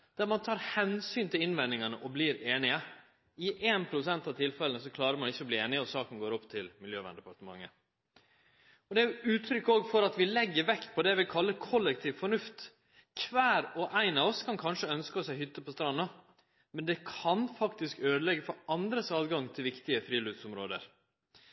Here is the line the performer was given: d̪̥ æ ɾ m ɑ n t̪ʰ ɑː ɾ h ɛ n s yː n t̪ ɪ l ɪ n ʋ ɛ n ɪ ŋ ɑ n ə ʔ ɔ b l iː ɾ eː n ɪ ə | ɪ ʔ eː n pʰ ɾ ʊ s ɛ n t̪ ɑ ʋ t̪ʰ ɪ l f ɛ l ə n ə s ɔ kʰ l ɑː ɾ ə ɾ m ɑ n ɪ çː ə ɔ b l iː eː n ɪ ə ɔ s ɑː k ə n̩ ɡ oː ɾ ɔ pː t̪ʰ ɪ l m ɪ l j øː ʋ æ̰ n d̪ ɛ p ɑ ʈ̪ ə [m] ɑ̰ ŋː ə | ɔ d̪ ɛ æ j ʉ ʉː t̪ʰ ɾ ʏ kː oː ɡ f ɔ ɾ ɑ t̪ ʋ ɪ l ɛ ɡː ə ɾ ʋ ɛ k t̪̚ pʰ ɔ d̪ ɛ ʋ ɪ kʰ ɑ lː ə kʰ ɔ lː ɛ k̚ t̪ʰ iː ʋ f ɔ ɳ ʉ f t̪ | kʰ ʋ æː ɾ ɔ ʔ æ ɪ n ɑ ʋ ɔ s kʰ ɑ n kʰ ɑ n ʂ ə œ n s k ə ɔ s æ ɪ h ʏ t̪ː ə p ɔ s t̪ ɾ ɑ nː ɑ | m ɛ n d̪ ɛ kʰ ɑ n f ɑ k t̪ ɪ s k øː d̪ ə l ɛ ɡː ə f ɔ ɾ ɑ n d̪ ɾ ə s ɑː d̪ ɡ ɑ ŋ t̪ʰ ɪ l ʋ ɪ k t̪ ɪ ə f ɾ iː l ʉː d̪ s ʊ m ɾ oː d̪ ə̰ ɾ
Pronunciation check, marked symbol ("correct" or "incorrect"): correct